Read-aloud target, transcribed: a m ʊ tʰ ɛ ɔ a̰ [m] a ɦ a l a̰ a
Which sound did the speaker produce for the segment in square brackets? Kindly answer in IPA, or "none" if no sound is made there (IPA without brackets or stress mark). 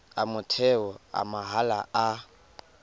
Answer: m